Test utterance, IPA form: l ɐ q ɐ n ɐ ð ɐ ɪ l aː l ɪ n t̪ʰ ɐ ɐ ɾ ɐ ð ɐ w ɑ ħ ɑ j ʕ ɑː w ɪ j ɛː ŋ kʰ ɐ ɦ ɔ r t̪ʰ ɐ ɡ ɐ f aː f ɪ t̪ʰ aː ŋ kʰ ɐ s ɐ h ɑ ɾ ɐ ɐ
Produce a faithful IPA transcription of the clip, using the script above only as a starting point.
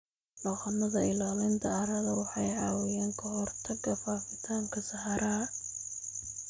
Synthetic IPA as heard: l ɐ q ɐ n ɐ ð ɐ ɪ l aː l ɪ n t̪ʰ ɐ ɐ ɾ ɐ ð ɐ w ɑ ħ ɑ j ʕ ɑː w ɪ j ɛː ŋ kʰ ɐ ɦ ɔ r t̪ʰ ɐ ɡ ɐ f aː f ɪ t̪ʰ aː ŋ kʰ ɐ s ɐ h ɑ ɾ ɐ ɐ